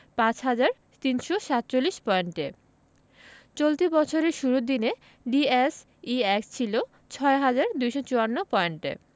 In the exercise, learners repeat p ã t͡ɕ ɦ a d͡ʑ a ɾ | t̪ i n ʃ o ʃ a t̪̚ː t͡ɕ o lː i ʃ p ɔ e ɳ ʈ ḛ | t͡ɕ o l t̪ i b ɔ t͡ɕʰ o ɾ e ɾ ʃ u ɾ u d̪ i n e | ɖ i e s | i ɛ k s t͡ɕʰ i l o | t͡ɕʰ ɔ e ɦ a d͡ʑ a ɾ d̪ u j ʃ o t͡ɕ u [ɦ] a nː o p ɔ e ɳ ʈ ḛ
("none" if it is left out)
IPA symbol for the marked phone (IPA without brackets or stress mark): none